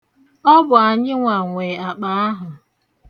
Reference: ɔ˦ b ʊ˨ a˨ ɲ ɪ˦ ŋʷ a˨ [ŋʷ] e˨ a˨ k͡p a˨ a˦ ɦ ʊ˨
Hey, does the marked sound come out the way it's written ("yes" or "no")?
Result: yes